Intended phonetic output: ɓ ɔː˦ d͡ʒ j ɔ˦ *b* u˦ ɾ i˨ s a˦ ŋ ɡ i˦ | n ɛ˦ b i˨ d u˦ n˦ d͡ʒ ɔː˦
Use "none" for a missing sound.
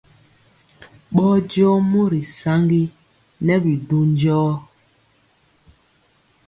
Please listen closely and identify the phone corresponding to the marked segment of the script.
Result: m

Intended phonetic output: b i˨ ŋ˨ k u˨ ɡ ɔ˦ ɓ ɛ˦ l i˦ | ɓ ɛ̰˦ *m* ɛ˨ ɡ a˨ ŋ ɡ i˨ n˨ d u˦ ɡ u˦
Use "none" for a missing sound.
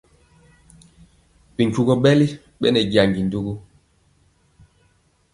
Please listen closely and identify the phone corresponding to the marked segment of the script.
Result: n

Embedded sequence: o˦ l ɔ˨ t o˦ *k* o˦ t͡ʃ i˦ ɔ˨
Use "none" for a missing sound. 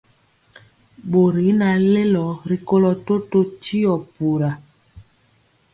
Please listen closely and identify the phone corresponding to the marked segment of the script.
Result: t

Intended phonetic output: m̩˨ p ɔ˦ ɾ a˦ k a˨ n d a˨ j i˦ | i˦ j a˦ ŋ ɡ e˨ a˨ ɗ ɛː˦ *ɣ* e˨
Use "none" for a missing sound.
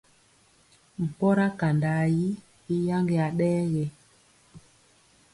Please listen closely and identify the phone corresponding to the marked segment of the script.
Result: ɣ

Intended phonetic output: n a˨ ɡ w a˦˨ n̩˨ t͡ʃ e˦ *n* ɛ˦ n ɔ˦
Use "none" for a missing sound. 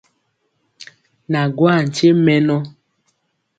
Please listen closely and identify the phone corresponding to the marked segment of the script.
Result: m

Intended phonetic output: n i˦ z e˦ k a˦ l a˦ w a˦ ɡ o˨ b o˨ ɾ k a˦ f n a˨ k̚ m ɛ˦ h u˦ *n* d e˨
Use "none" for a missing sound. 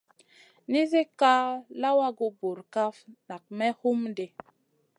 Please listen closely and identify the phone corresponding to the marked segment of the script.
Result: m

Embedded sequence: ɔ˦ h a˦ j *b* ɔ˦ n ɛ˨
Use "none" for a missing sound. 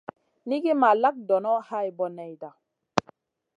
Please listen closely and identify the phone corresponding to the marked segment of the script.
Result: b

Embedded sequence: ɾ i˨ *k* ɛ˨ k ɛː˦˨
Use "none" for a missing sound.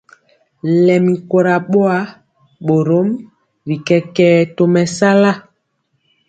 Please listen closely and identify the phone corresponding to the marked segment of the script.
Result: k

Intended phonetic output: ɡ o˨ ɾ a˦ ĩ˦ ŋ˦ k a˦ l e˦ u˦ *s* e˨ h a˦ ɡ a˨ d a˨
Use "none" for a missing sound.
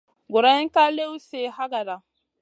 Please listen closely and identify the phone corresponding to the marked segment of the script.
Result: s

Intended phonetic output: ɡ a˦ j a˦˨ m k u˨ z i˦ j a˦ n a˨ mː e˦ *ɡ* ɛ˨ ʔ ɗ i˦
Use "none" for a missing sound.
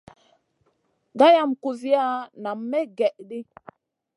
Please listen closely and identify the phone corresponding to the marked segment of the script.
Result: ɡ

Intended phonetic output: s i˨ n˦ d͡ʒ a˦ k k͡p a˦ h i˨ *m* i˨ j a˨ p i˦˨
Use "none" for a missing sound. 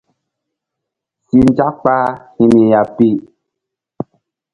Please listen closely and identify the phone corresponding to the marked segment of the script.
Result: m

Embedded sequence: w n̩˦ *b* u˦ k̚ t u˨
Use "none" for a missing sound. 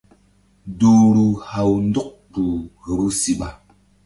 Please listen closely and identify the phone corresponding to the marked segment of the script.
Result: d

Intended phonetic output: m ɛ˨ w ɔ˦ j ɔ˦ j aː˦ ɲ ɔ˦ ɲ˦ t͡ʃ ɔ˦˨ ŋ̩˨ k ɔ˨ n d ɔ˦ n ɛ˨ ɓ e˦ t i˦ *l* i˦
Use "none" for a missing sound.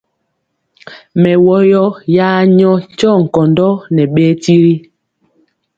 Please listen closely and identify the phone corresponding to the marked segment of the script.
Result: ɾ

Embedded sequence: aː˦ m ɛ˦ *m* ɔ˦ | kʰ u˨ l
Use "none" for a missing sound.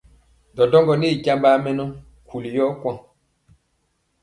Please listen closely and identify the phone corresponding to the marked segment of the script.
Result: n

